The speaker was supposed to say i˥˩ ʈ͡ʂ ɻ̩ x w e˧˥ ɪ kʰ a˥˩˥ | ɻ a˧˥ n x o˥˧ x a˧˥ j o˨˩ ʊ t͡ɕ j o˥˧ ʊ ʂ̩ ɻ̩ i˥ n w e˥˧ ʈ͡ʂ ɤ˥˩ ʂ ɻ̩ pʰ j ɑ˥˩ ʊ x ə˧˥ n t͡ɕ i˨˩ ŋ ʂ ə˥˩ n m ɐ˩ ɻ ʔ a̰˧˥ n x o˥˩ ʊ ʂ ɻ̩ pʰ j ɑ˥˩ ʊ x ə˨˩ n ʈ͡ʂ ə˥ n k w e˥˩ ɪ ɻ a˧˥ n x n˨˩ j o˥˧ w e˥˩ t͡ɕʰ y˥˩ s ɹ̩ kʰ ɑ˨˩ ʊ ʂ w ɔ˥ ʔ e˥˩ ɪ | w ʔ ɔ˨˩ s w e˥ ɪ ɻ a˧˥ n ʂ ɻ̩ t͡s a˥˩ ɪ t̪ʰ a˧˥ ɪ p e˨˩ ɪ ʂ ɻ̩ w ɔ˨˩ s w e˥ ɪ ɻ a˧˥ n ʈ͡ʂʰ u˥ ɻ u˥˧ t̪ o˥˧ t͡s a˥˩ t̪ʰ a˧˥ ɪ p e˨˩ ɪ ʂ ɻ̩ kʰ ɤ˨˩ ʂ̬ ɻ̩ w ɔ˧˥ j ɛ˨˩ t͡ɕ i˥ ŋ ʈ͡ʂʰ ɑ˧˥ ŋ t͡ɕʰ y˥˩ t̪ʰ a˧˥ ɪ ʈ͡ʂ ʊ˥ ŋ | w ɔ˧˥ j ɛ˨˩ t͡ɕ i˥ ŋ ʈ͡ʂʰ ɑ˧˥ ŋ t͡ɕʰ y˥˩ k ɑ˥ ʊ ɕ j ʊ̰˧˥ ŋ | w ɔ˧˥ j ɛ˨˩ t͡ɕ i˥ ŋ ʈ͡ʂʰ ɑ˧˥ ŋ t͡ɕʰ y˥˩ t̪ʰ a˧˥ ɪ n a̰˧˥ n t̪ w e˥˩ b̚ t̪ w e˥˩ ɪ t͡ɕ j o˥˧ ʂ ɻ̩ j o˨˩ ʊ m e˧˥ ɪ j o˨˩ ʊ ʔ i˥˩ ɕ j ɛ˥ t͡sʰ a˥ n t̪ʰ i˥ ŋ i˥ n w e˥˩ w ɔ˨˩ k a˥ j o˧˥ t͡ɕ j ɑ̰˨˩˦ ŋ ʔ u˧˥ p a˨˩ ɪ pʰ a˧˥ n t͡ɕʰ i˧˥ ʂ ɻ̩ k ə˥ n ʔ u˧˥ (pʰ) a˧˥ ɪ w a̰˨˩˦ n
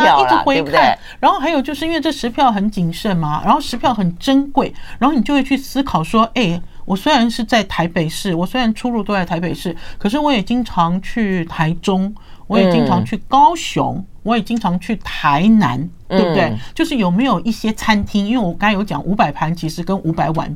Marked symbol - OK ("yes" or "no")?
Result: no